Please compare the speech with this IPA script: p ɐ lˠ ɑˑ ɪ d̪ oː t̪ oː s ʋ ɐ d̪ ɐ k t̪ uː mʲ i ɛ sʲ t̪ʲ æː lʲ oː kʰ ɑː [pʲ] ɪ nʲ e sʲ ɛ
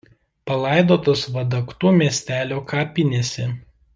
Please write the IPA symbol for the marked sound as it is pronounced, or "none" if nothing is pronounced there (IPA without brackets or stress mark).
pʲ